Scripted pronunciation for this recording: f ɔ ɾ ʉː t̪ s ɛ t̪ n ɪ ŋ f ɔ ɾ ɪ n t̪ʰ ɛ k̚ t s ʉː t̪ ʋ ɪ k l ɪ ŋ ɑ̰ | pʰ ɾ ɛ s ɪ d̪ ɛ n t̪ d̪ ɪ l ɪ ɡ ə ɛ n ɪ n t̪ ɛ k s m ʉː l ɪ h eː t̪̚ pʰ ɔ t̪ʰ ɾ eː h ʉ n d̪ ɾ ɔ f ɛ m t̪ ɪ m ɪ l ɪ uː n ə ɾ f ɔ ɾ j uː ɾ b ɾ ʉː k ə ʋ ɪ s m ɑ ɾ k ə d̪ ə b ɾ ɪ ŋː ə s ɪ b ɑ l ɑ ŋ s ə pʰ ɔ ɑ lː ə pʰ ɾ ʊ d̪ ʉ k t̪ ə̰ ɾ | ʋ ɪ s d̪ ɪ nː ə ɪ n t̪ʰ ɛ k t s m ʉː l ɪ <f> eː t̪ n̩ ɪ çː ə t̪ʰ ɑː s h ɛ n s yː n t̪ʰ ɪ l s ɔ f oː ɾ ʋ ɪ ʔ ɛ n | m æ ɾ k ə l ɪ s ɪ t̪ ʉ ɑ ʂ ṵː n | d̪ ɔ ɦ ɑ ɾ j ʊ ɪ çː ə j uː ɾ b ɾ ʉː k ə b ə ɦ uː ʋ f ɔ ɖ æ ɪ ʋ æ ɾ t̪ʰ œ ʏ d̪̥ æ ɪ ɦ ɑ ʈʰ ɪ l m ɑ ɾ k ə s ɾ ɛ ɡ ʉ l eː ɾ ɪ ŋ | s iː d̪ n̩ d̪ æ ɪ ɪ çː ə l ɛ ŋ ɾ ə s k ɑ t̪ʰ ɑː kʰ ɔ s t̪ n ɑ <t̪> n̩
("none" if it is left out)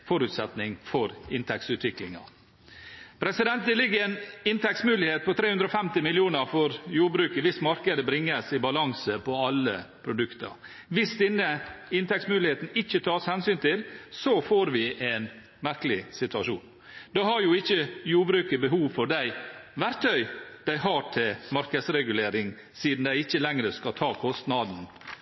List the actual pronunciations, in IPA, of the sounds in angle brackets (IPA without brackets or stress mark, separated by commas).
h, d̪